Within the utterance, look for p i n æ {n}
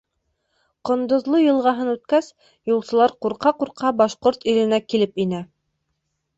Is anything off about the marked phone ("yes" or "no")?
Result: yes